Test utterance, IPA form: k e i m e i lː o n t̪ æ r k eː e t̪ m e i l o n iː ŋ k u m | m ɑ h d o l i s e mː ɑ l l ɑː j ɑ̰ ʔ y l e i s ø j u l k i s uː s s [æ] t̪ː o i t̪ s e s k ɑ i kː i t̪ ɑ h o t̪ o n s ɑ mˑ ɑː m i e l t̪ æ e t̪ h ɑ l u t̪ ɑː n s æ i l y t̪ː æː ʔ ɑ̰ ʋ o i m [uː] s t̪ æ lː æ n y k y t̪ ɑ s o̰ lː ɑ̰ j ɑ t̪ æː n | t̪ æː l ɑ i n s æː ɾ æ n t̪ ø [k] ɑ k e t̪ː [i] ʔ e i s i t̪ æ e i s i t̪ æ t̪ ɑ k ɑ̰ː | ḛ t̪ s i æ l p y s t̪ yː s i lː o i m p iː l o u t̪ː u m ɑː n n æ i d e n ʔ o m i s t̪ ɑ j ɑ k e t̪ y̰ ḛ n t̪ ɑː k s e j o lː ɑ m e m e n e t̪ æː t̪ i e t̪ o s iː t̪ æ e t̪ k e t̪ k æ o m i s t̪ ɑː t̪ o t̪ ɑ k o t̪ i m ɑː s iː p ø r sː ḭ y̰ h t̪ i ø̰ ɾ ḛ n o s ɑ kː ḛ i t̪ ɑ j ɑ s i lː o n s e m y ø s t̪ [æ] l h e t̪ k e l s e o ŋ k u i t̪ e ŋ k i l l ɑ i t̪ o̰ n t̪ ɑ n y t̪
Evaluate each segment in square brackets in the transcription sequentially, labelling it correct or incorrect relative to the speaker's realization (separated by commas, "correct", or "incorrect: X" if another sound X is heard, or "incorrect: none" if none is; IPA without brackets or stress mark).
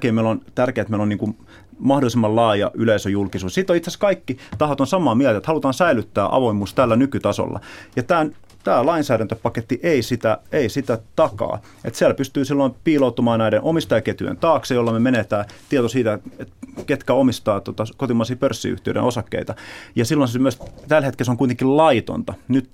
incorrect: i, correct, incorrect: p, correct, correct